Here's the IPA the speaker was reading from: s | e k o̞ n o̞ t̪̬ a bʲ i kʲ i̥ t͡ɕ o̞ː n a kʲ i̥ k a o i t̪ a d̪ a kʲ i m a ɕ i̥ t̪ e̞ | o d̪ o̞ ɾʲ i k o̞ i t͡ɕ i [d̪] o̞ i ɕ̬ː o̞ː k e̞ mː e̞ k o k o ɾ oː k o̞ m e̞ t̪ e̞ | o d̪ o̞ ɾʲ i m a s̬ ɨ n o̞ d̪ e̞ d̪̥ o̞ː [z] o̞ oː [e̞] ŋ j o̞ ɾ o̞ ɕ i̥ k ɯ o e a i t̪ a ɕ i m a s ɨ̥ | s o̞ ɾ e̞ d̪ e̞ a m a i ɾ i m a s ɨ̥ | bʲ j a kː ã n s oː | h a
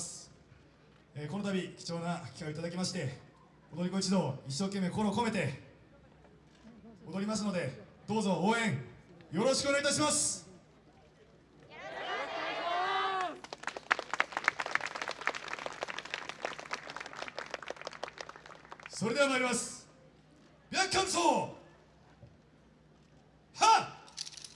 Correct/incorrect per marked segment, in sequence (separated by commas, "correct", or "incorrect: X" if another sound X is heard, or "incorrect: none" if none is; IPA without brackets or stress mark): correct, correct, incorrect: ẽ̞